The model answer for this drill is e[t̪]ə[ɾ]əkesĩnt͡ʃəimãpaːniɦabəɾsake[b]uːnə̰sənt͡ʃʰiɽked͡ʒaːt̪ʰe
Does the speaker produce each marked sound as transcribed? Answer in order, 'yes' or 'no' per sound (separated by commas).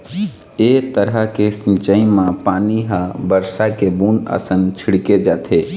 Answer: yes, yes, yes